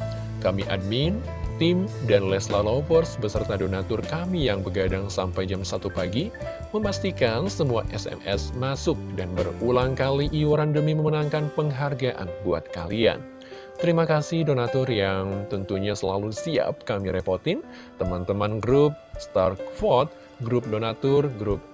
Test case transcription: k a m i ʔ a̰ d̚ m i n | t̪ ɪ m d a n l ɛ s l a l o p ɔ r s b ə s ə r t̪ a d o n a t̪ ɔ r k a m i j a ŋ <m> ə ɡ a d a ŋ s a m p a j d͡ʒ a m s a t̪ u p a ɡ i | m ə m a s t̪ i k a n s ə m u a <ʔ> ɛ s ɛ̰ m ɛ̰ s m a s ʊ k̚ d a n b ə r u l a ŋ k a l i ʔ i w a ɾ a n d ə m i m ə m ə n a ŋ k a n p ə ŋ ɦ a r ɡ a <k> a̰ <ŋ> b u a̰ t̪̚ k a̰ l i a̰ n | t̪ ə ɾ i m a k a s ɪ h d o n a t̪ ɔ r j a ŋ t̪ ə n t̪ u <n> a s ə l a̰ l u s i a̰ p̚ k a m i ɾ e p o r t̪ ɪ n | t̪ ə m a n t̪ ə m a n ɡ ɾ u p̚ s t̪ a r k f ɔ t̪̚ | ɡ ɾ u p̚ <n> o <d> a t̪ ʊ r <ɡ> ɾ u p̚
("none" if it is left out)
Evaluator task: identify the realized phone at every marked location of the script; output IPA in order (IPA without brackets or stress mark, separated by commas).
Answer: b, ʔ, ʔ, n, ɲ, d, n, ɡ